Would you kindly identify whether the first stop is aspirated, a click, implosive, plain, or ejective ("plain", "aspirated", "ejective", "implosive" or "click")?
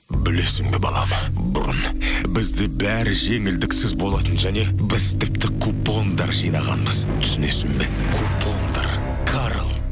plain